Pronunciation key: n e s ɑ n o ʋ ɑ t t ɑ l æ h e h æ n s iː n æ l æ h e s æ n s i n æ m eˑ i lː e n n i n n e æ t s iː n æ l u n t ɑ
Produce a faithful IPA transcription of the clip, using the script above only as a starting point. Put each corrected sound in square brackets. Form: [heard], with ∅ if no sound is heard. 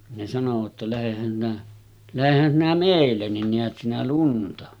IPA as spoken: n e s ɑ n o ʋ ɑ t t ɑ l æ h e h æ n s [i] n æ l æ h e [h] æ n s i n æ m eˑ i lː e n n i n n e æ t s [i] n æ l u n t ɑ